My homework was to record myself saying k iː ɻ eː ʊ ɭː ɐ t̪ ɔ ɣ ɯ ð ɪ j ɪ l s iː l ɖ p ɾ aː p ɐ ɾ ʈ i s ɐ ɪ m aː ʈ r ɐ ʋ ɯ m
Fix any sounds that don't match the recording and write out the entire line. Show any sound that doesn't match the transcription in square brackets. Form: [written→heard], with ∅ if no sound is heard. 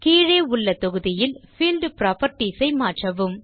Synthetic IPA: k iː ɻ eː ʊ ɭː ɐ t̪ ɔ ɣ ɯ ð ɪ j ɪ l [s→f] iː l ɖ p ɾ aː p ɐ ɾ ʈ i s ɐ ɪ m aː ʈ r ɐ ʋ ɯ m